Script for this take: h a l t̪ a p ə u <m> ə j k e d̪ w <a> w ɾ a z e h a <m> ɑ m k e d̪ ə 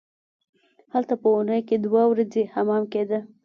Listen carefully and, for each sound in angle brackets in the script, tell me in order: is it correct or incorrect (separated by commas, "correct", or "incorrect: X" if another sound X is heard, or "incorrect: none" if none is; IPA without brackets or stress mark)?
incorrect: n, correct, correct